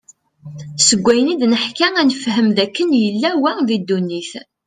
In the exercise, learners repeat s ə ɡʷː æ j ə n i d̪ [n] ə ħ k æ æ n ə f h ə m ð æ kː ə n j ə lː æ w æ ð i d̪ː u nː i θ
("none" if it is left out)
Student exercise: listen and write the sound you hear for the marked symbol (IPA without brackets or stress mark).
n